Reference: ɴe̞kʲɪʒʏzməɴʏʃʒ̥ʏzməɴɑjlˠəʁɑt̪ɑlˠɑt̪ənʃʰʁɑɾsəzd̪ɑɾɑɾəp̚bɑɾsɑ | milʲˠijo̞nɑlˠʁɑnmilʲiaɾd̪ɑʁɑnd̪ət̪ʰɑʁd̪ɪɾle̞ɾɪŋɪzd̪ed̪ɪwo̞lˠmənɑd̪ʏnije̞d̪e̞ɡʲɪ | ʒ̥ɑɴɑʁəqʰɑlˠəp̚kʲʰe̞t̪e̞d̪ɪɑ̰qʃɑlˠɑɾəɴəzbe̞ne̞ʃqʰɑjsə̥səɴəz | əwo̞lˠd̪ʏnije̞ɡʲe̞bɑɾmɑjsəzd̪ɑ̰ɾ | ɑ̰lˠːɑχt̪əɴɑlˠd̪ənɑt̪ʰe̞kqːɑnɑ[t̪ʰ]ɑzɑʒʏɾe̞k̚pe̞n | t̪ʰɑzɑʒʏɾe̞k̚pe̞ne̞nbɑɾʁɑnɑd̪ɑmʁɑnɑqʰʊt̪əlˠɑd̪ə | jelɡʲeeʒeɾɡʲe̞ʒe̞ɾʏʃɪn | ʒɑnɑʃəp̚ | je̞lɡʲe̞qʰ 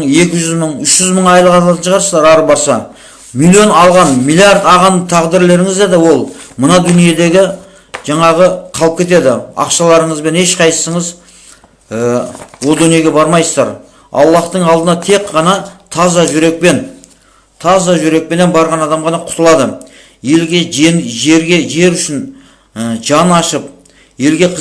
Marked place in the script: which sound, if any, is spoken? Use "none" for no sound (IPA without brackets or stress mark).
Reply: t̪ʰ